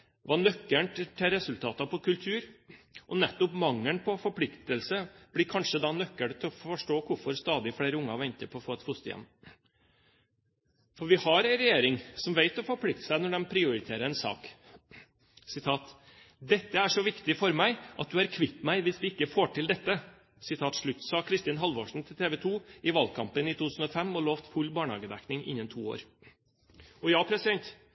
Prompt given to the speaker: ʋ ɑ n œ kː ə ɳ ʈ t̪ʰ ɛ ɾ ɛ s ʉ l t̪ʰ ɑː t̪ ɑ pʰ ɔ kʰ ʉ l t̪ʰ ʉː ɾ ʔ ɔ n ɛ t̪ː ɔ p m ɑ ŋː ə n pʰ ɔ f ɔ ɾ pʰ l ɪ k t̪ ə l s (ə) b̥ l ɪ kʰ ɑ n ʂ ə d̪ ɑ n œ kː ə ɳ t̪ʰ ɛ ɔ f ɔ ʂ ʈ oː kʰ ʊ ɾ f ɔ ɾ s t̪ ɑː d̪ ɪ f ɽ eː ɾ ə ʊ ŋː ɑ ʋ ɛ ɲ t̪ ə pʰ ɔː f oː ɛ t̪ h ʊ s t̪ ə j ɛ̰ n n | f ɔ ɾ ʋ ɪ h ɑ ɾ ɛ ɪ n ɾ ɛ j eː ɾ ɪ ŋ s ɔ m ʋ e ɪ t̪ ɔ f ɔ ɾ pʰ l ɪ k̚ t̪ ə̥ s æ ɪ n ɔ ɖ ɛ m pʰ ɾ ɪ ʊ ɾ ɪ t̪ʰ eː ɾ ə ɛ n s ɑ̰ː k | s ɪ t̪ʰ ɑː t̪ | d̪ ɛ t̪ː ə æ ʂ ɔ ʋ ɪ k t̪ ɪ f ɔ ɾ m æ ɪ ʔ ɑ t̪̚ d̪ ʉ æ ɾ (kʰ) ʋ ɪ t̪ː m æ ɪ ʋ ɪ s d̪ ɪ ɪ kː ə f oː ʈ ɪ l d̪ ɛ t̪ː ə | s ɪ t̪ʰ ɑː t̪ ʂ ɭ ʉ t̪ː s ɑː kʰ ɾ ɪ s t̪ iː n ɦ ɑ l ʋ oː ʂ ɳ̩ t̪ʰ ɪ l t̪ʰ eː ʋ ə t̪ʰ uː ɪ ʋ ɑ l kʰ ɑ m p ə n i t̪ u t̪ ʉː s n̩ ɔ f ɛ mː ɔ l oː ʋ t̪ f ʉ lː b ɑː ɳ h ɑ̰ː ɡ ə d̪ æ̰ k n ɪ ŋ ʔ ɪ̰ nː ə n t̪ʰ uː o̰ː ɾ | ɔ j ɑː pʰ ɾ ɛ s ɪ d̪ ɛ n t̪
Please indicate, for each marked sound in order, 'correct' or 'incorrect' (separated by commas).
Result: correct, correct